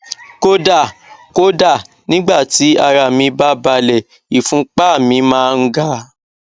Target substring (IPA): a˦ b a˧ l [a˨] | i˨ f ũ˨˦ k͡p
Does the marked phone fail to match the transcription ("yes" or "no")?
yes